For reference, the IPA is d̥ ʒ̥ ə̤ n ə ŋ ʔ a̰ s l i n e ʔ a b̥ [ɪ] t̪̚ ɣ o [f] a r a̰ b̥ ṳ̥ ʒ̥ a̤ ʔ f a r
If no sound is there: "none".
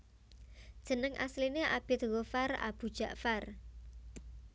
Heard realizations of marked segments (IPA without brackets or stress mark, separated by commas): ɪ, f